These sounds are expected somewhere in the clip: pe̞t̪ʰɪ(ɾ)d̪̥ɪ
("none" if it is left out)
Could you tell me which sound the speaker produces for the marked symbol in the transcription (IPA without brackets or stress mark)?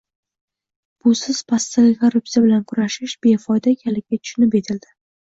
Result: l